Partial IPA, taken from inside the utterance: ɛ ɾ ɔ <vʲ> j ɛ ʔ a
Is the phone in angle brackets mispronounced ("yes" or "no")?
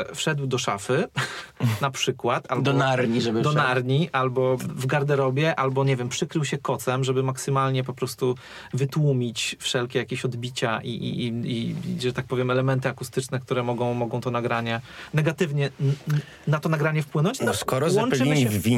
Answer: yes